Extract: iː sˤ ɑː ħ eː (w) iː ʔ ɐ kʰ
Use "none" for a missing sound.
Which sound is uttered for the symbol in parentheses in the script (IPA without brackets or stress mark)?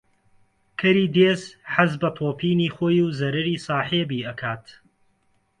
b